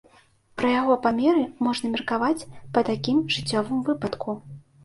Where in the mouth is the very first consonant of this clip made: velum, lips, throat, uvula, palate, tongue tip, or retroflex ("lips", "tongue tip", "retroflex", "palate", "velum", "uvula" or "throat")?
lips